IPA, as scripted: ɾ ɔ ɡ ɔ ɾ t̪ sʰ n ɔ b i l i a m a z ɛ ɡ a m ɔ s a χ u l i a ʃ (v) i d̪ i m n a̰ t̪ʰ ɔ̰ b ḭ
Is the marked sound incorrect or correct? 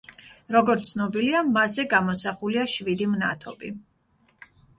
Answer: correct